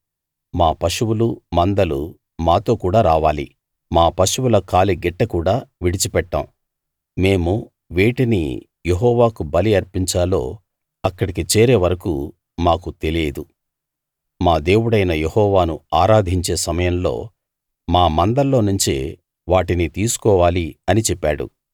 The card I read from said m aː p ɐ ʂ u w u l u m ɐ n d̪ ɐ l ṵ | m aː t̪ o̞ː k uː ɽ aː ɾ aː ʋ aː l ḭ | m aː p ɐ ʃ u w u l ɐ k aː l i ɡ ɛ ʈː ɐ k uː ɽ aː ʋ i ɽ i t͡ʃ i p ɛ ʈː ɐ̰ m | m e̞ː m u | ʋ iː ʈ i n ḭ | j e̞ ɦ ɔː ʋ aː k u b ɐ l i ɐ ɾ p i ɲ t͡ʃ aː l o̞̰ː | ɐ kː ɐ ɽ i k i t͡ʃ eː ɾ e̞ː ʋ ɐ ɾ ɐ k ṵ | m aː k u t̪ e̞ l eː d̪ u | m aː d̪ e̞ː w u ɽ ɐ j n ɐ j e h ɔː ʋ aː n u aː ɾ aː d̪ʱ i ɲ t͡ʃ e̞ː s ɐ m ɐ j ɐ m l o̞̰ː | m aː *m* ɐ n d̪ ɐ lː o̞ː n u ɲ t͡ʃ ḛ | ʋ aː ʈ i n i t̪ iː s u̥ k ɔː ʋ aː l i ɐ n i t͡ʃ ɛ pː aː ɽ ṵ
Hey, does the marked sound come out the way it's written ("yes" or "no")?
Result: yes